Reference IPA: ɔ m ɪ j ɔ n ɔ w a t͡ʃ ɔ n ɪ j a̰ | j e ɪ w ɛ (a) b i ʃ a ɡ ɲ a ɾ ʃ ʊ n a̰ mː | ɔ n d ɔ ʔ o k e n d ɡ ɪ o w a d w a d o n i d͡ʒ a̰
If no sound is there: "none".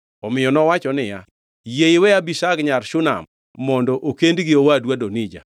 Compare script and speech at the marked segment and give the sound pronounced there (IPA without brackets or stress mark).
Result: a